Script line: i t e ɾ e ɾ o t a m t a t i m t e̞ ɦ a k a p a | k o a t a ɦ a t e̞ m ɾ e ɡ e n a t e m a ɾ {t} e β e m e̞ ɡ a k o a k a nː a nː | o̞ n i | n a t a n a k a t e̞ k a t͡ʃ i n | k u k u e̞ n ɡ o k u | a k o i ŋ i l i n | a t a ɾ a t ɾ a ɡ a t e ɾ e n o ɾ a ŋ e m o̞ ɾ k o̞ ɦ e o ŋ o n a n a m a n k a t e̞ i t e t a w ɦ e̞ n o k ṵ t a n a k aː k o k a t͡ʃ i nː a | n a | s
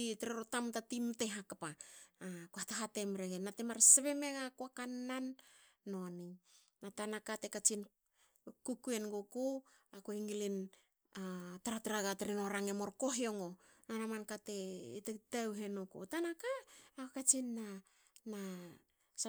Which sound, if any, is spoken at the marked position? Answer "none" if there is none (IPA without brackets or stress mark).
s